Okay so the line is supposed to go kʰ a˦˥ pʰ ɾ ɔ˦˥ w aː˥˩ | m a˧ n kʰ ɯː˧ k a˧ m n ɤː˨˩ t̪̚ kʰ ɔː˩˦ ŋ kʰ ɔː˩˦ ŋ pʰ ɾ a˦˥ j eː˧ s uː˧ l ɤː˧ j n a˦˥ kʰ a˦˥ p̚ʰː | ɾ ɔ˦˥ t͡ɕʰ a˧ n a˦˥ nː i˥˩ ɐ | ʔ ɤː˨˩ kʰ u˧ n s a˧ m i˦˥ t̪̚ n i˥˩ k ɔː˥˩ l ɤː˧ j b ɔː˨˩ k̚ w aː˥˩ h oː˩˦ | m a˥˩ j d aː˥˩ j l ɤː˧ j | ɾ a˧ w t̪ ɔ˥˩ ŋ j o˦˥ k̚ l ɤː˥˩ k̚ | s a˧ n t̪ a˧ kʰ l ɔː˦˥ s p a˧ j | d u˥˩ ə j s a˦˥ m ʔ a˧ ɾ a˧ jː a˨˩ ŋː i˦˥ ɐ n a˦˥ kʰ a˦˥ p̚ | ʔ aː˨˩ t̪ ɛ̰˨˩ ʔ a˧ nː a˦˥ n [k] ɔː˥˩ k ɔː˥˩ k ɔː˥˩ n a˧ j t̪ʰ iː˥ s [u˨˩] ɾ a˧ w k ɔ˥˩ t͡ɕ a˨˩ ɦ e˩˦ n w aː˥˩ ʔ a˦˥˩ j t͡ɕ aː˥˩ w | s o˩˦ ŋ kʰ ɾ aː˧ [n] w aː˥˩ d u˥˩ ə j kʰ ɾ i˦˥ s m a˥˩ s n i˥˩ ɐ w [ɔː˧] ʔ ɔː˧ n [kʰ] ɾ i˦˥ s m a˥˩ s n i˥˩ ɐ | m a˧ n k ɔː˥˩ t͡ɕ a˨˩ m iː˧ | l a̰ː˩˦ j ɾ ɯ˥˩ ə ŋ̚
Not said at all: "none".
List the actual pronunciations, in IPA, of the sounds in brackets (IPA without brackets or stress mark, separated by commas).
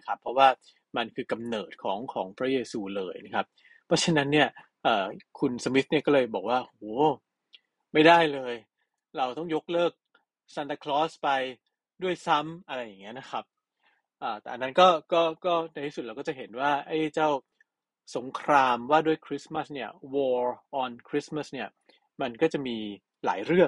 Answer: k, u˨˩, m, ɔː˧, kʰ